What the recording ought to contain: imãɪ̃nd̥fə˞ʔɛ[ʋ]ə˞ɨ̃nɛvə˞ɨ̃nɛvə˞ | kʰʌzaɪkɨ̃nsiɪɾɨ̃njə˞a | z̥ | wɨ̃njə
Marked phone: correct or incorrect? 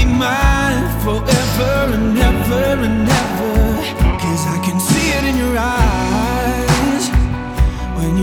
incorrect